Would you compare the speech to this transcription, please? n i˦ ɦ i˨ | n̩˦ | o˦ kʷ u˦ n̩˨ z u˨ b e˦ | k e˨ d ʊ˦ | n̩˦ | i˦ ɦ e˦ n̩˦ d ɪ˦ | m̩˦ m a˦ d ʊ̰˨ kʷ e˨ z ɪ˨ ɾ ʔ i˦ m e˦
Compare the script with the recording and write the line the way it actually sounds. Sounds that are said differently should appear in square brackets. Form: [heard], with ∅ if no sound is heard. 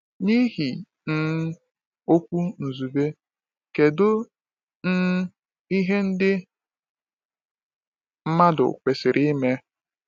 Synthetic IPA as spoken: n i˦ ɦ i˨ | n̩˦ | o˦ kʷ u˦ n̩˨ z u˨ b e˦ | k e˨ d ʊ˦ | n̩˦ | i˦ ɦ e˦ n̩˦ d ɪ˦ | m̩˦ m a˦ d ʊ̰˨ kʷ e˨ [s] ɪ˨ ɾ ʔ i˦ m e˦